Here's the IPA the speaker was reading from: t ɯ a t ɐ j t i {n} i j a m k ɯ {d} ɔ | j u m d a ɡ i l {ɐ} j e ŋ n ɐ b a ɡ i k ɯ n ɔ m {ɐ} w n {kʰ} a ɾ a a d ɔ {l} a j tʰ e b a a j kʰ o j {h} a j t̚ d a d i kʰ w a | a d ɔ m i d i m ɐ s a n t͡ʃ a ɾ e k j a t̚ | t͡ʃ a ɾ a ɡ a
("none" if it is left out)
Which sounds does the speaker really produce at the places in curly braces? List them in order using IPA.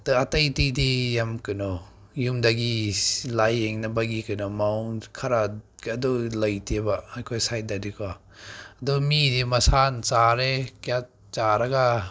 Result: d, n, a, a, kʰ, l, s

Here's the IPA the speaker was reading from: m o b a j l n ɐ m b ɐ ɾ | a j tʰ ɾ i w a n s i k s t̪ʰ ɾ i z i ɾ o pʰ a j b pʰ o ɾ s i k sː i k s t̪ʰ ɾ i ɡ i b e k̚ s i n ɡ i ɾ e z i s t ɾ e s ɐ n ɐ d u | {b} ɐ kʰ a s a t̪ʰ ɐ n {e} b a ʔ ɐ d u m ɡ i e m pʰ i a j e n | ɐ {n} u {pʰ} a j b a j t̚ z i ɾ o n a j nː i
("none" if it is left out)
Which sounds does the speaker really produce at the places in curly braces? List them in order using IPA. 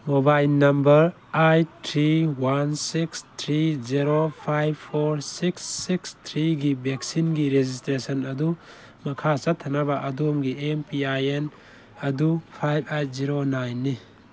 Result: m, a, d, pʰ

